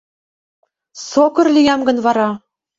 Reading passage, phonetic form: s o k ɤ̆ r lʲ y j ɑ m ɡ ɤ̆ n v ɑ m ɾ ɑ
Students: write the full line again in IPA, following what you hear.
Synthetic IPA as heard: s o k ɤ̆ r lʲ i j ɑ m ɡ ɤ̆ n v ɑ ɾ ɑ